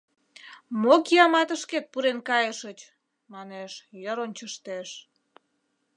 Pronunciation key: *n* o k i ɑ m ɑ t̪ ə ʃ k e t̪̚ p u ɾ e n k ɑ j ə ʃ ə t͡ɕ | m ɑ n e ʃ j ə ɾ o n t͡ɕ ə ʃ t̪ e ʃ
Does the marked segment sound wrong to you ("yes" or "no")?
yes